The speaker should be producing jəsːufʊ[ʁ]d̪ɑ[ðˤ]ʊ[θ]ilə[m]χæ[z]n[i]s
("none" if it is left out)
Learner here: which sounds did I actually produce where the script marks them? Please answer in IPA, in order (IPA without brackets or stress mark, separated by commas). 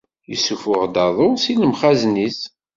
ʁ, ðˤ, s, m, z, i